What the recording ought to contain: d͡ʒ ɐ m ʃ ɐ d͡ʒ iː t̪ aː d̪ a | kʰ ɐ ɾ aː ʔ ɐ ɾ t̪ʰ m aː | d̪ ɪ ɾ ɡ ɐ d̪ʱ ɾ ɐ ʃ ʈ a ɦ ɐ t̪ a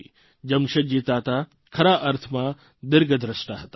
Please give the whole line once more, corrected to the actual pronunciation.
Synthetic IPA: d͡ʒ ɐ m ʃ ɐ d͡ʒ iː t̪ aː t̪ a | kʰ ɐ ɾ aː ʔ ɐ ɾ t̪ʰ m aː | d̪ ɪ ɾ ɡ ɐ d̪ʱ ɾ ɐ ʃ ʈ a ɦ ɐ t̪ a